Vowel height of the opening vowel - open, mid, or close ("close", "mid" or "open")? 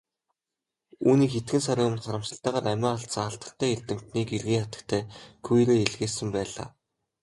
close